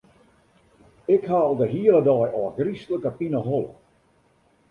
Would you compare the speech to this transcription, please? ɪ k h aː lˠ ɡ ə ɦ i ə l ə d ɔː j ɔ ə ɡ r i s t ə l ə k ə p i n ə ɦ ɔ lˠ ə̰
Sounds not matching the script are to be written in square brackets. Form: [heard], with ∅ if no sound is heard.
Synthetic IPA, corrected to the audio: ɪ k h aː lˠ [d] ə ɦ i ə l ə d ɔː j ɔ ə ɡ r i s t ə l ə k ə p i n ə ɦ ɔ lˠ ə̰